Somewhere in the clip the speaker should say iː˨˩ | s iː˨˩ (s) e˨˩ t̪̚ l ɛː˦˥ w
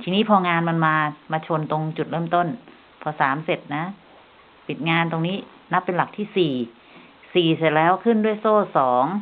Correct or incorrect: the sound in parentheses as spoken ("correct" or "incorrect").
correct